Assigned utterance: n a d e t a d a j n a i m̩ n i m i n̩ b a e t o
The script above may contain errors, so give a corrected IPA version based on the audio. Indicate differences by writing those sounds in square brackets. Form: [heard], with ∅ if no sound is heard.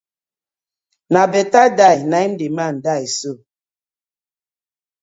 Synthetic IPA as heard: n a [b] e t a d a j n a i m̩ [d] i m [a] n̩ [d] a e [s] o